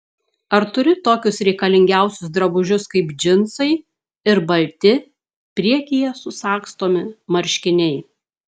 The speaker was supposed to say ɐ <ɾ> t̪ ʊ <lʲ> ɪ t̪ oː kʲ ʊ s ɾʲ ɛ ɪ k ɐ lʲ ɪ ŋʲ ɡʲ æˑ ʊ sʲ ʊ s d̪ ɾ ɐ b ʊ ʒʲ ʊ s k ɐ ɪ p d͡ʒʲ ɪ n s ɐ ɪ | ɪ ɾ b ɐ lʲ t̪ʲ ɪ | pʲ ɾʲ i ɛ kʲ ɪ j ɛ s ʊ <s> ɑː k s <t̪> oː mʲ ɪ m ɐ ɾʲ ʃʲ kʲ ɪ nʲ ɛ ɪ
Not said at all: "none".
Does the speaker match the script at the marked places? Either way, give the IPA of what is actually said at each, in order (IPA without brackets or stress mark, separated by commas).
ɾ, ɾʲ, s, t̪